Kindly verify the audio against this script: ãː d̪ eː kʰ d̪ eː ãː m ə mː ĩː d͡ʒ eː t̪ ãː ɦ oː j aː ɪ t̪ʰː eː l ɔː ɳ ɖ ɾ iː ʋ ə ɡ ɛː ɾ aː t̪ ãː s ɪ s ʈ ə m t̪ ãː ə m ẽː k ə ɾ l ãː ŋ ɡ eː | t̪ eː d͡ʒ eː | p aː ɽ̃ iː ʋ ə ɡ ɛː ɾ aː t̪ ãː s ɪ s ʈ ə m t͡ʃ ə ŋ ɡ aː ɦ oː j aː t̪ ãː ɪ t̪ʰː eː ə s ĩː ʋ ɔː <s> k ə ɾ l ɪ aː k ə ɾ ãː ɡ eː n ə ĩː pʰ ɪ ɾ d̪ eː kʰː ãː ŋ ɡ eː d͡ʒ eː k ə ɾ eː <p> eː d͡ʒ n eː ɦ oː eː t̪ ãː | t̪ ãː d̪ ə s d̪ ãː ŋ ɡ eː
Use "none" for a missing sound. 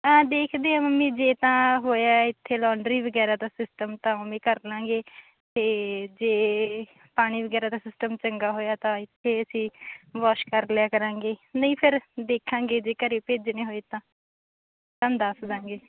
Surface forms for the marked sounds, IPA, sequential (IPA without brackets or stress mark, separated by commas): ʃ, p